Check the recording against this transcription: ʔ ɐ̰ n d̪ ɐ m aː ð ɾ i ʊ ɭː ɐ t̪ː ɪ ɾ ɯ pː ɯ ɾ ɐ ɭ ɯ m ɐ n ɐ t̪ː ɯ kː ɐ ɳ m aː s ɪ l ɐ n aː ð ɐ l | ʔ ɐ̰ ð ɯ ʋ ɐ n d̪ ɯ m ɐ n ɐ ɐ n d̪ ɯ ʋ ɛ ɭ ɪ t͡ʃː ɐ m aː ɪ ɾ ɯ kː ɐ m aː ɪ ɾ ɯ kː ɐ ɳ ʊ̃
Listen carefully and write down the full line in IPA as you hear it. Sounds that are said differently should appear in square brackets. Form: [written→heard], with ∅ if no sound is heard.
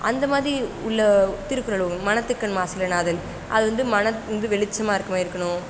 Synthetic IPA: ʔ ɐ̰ n d̪ ɐ m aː ð ɾ i ʊ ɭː ɐ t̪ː ɪ ɾ ɯ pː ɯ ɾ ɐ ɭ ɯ m ɐ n ɐ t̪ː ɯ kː ɐ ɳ m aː s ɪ l ɐ n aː ð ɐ l | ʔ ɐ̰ ð ɯ ʋ ɐ n d̪ ɯ m ɐ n ɐ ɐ n d̪ ɯ ʋ ɛ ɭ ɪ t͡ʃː ɐ m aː ɪ ɾ ɯ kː ɐ m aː ɪ ɾ ɯ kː ɐ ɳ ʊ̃